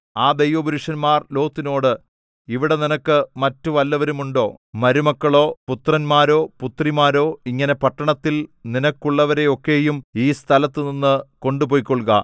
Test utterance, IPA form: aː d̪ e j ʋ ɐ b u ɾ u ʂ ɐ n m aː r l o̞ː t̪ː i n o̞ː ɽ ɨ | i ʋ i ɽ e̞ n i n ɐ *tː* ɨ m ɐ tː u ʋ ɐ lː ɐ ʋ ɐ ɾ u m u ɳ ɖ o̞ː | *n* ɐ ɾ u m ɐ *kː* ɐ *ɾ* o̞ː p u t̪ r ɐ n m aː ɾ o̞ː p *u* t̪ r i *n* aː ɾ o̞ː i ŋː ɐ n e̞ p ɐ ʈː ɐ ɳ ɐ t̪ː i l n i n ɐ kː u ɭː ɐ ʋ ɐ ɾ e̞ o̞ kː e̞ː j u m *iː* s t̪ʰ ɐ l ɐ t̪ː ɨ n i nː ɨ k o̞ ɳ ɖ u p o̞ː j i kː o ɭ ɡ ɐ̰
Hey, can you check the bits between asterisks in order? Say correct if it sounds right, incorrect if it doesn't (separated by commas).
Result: incorrect, incorrect, correct, incorrect, correct, incorrect, correct